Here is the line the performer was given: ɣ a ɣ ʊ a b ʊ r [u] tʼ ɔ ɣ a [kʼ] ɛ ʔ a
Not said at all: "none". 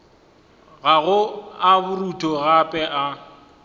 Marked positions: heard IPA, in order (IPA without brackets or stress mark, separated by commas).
u, pʼ